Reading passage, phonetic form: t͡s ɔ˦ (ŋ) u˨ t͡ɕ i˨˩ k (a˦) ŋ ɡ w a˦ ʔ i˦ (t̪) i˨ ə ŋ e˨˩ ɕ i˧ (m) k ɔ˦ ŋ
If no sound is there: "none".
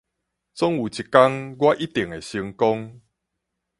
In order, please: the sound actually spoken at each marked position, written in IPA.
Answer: ŋ, a˦, t̪, ŋ

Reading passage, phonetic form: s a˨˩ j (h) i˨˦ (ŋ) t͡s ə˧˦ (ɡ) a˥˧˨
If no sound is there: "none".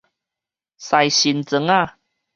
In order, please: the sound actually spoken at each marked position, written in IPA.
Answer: ɕ, n, ŋ

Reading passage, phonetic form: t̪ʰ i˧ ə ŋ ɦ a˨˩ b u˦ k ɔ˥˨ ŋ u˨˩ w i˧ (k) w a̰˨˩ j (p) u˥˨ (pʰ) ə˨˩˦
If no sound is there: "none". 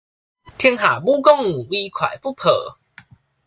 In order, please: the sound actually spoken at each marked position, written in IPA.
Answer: kʰ, p, pʰ

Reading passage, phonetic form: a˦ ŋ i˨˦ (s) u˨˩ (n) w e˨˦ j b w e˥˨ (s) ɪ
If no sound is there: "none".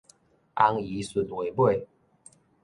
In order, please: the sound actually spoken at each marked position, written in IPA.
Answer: s, n, none

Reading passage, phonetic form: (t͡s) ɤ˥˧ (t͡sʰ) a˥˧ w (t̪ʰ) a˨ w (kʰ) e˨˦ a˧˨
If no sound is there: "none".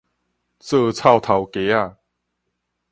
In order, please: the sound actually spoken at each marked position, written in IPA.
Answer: t͡s, t͡sʰ, t̪ʰ, k

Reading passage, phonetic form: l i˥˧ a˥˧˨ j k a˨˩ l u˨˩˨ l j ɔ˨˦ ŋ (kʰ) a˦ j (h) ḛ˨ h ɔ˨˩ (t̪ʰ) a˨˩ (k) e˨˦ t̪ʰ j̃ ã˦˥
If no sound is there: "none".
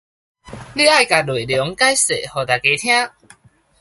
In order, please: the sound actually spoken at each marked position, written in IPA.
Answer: k, s, t̪, k

